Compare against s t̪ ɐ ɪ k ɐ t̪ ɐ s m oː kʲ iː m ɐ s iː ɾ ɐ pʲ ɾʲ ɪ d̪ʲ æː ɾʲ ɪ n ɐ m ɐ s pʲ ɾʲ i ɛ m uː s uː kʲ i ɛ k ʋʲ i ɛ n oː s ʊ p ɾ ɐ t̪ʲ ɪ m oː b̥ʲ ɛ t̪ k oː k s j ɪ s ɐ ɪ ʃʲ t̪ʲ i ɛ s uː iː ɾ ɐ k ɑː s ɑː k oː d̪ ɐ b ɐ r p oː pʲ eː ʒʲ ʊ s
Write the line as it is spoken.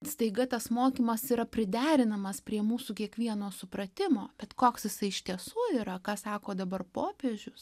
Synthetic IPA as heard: s t̪ ɐ ɪ ɡ ɐ t̪ ɐ s m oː kʲ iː m ɐ s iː ɾ ɐ pʲ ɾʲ ɪ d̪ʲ æː ɾʲ ɪ n ɐ m ɐ s pʲ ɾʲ i ɛ m uː s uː kʲ i ɛ k ʋʲ i ɛ n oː s ʊ p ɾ ɐ t̪ʲ ɪ m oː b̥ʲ ɛ t̪ k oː k s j ɪ s ɐ ɪ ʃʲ t̪ʲ i ɛ s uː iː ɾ ɐ k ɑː s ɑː k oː d̪ ɐ b ɐ r p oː pʲ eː ʒʲ ʊ s